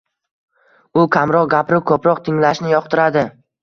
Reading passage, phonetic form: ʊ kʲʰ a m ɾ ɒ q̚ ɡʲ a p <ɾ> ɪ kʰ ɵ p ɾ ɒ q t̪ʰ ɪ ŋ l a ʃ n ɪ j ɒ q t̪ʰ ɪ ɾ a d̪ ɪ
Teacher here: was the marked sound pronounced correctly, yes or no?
yes